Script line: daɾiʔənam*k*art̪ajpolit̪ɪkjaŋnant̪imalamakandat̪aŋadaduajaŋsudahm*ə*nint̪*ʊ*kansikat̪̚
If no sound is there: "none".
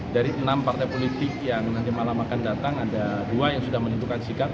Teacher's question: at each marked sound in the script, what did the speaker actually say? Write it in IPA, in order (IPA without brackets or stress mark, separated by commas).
p, ə, u